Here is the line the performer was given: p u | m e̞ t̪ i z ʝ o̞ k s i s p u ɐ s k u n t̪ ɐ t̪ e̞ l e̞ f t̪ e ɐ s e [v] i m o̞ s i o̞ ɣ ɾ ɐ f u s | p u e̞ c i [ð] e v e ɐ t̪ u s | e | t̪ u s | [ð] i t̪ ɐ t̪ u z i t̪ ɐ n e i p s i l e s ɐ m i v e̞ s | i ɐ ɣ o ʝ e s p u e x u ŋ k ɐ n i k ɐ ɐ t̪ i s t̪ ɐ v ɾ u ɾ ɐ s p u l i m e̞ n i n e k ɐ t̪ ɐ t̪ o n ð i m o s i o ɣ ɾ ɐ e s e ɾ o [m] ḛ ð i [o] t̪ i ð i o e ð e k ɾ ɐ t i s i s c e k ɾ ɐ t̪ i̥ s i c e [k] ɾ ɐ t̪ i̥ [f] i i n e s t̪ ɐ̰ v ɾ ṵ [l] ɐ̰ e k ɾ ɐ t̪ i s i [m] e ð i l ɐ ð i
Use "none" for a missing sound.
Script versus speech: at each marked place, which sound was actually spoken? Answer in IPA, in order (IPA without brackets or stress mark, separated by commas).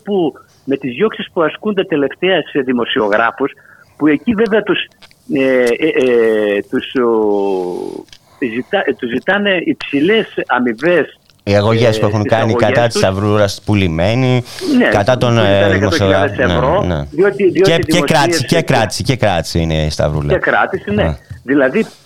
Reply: ð, v, z, n, o, k, s, l, n